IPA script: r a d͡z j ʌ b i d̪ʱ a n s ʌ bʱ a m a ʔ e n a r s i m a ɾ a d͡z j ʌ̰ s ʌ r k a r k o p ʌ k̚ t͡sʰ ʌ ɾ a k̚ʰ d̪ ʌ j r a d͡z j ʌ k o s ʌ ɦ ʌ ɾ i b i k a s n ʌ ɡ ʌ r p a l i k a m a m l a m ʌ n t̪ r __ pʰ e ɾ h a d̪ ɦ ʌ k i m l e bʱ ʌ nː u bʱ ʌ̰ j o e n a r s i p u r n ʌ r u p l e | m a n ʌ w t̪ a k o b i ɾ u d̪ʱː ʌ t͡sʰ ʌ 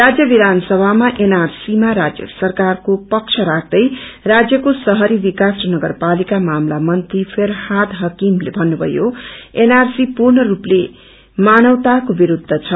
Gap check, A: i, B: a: A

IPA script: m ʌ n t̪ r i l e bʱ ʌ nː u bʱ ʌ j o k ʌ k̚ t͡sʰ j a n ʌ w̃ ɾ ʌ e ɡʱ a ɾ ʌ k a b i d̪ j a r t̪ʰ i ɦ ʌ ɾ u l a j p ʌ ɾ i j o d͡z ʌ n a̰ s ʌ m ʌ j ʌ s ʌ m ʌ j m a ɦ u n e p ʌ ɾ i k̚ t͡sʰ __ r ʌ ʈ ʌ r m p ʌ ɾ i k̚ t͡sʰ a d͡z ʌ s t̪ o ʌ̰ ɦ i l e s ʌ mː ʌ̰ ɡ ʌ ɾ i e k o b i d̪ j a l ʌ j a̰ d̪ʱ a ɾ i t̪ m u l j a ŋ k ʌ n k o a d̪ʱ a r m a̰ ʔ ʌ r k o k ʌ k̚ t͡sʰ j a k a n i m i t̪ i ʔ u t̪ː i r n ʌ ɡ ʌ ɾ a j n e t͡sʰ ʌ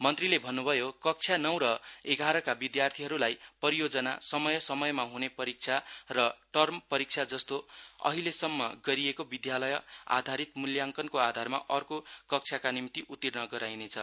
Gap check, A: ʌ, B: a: B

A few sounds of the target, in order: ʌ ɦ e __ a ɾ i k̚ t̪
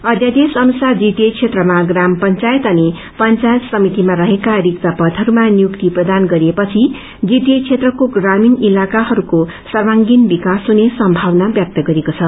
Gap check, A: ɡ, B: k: B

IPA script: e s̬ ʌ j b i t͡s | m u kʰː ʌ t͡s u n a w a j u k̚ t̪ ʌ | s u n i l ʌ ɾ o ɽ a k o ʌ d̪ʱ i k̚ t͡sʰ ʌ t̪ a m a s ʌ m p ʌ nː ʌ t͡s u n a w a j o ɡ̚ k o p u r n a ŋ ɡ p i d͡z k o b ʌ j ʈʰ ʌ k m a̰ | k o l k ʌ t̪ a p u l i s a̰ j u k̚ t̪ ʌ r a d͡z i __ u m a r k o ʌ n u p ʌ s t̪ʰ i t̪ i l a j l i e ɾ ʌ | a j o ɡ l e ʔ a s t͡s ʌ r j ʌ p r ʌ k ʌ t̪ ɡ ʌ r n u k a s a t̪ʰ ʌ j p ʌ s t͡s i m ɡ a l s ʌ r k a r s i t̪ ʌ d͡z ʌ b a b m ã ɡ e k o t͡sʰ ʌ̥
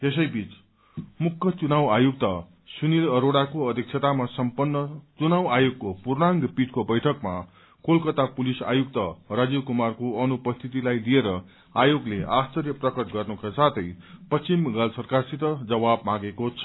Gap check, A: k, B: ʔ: A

